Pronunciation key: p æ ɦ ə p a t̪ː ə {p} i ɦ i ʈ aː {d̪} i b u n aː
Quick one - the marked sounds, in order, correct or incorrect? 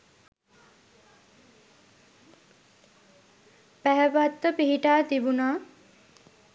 correct, incorrect

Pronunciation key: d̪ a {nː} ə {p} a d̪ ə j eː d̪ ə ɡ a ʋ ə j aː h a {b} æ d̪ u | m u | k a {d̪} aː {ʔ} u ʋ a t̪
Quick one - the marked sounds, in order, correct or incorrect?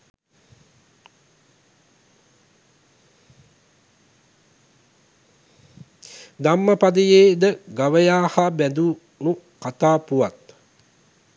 incorrect, correct, correct, incorrect, incorrect

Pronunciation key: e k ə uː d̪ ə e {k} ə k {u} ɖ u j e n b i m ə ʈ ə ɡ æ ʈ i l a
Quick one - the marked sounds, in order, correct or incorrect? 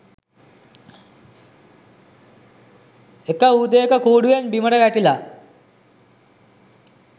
correct, incorrect

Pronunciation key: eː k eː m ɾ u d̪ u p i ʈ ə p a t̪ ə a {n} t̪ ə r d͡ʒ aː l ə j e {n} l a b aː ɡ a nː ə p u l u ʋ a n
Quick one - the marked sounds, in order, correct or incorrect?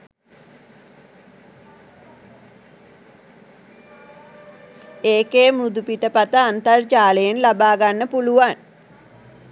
correct, correct

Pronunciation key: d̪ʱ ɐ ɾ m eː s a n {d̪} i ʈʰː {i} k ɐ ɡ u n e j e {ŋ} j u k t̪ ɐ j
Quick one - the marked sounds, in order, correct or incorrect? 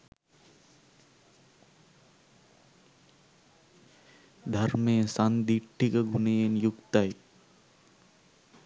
correct, correct, incorrect

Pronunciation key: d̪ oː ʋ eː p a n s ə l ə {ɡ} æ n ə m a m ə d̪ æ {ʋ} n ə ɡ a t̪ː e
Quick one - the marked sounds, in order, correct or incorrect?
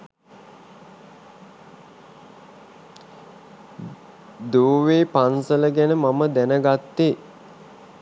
correct, incorrect

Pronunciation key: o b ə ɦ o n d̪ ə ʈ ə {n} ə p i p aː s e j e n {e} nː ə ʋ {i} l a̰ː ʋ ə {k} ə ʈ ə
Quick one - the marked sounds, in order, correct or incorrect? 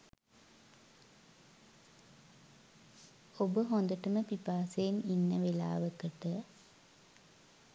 incorrect, incorrect, incorrect, correct

